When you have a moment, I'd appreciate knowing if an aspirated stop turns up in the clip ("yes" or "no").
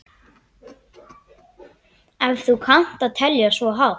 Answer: yes